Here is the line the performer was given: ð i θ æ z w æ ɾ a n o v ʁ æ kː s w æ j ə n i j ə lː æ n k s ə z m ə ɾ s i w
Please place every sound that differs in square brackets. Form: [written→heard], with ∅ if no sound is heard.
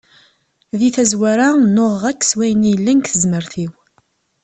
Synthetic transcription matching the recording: ð i θ æ z w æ ɾ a n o [v→ʁ] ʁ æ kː s w æ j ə n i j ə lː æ n k [s→θ] ə z m ə ɾ [s→θ] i w